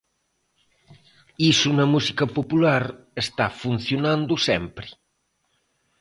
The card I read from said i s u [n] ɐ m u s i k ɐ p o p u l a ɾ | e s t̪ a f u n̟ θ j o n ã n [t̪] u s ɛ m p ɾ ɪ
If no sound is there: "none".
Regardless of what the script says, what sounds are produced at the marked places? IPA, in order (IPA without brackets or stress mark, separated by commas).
n, d̪